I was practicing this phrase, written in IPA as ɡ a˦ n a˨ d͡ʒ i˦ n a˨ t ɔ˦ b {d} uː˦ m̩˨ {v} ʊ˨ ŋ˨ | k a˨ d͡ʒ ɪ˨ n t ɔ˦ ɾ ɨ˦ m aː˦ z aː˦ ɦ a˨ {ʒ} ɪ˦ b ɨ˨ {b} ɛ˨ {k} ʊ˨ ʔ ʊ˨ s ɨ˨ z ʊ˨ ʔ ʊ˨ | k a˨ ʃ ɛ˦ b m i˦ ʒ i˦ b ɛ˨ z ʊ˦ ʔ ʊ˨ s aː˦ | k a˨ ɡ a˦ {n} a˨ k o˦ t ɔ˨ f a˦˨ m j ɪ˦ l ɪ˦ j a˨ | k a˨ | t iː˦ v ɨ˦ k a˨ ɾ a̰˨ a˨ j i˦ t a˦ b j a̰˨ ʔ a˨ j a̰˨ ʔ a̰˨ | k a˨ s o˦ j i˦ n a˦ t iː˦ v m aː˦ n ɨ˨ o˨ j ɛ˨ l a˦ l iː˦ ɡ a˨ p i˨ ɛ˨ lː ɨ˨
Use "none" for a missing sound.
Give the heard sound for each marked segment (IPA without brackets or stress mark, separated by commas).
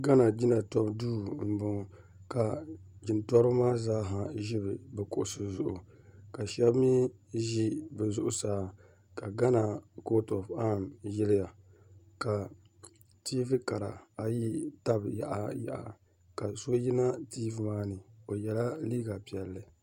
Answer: d, b, ʒ, b, k, n